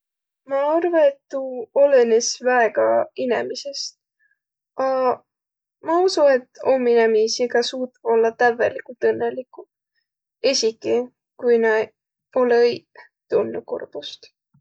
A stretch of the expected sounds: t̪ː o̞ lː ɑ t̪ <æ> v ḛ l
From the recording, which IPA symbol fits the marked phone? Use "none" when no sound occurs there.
æ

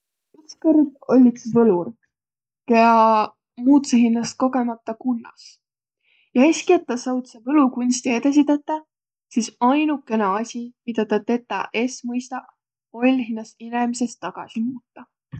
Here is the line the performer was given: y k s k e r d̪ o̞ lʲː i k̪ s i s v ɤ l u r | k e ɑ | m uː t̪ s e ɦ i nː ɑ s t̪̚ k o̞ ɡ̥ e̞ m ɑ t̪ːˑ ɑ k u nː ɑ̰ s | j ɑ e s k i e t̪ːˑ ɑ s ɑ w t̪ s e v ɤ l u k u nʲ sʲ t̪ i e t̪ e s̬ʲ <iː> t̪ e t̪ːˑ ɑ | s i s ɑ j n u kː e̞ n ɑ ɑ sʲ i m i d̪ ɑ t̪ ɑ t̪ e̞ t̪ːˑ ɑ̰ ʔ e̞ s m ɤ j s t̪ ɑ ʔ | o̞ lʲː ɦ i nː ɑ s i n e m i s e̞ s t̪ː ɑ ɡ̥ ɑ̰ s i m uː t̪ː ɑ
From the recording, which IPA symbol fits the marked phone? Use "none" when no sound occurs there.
i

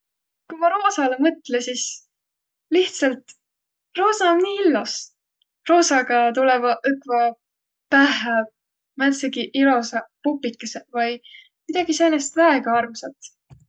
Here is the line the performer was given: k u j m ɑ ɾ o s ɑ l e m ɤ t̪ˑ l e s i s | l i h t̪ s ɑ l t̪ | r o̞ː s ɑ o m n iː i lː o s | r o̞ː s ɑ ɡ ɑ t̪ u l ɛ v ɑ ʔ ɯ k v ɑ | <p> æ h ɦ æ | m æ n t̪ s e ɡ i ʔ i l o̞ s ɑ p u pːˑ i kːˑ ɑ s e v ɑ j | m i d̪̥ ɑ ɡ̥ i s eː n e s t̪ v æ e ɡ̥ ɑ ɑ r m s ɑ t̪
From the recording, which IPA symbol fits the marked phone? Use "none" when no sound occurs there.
p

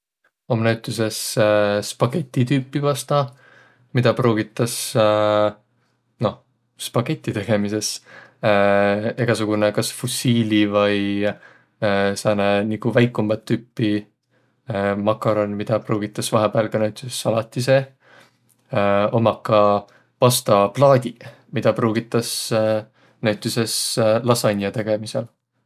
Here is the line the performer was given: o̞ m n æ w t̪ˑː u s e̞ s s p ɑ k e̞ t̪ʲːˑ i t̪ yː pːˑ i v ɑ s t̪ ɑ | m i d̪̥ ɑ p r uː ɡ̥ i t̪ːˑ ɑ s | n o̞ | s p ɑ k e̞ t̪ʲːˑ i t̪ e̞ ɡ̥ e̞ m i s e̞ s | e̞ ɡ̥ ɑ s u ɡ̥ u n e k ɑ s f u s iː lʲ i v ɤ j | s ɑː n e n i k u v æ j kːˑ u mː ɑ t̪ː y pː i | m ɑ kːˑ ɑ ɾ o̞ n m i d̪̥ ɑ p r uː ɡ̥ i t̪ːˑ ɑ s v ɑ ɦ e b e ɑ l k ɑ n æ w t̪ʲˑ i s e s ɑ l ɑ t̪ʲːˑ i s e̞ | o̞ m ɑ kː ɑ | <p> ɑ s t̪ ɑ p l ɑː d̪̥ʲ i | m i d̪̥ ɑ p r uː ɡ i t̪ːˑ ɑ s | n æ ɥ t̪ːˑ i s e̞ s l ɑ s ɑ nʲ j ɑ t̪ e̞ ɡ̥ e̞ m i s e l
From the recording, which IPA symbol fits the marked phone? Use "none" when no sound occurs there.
p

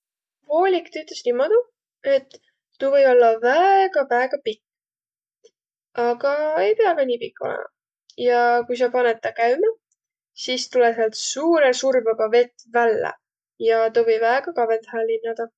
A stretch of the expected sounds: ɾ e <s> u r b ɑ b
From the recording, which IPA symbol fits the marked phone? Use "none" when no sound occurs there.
s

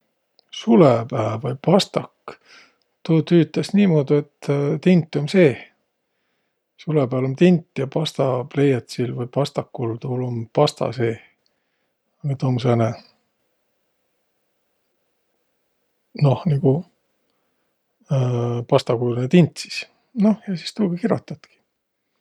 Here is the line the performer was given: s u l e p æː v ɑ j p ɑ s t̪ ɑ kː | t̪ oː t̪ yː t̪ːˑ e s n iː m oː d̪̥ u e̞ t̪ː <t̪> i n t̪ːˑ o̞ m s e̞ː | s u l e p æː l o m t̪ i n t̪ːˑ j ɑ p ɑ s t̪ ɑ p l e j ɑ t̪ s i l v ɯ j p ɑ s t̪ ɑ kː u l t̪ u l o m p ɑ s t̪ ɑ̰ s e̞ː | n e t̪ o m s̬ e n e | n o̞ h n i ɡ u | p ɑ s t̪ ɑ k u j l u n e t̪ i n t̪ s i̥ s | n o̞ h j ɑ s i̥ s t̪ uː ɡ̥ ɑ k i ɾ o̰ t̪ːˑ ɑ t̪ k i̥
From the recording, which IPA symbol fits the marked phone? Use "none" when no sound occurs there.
t̪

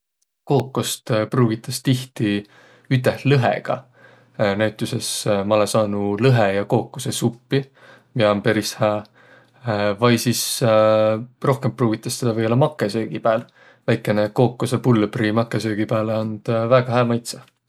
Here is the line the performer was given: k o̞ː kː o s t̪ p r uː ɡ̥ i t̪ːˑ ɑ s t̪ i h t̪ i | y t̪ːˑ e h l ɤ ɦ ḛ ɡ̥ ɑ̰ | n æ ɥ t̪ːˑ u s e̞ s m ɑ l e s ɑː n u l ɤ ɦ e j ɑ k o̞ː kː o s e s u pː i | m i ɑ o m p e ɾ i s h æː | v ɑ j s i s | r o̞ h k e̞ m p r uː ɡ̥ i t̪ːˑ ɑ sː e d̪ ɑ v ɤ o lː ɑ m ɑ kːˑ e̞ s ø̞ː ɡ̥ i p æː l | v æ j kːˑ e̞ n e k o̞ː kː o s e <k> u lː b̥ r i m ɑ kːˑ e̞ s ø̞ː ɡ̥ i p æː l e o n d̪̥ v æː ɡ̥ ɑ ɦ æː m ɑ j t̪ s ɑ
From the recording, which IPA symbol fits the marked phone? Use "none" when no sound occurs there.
p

